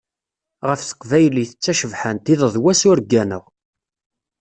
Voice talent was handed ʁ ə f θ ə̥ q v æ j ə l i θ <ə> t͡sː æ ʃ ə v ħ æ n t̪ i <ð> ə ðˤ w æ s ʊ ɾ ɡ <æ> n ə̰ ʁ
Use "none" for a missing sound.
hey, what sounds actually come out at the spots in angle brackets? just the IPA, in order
ə, ð, æ

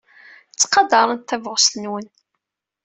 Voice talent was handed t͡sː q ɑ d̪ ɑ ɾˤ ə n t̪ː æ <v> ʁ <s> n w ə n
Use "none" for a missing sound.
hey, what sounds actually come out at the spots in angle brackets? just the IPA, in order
v, s

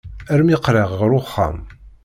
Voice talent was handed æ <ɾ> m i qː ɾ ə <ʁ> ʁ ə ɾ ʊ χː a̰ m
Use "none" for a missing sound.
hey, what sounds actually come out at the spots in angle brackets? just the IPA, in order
ɾ, ʁ

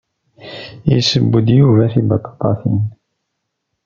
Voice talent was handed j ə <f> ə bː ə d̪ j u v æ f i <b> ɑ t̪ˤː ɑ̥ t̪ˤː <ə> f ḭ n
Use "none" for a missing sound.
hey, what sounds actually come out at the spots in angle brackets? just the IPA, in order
s, b, ɑ

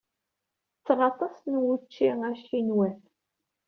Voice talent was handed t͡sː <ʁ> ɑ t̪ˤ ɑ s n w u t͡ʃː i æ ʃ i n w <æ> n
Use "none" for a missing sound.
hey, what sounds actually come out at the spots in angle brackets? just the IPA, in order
ʁ, æ

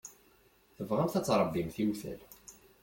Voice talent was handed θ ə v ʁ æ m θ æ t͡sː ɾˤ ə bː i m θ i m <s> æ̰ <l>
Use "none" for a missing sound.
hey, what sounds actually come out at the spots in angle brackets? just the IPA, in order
θ, l

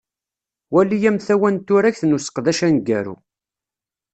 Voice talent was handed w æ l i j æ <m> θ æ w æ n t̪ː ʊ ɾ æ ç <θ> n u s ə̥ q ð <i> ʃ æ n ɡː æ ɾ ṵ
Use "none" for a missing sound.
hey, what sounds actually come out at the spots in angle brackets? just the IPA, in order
m, θ, æ

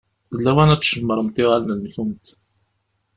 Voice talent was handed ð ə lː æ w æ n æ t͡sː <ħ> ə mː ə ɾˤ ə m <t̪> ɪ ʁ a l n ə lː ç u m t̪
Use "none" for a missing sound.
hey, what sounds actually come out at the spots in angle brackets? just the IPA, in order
ʃ, t̪

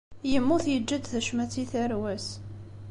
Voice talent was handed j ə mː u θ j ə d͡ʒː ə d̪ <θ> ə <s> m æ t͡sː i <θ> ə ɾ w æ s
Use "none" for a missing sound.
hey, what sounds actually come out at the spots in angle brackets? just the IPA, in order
θ, ʃ, θ

